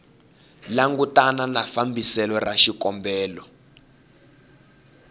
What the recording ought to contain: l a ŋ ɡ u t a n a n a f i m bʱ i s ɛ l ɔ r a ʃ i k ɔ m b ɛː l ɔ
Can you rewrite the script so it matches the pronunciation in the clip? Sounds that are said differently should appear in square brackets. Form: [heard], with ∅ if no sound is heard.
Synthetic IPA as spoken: l a ŋ ɡ u t a n a n a f [a] m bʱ i s ɛ l ɔ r a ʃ i k ɔ m b ɛː l ɔ